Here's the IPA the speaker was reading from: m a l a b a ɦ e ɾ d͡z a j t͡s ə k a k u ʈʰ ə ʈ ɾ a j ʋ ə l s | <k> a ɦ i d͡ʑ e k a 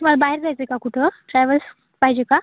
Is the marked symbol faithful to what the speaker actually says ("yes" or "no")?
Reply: no